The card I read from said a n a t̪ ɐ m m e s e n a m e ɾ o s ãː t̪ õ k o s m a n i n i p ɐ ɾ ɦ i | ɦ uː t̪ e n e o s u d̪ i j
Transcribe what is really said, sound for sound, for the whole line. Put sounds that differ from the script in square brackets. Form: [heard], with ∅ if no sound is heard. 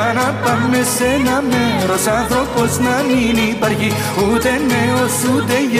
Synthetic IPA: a n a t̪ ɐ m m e s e n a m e ɾ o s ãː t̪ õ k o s [n] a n i n i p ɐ ɾ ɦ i | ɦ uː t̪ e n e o s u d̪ [e] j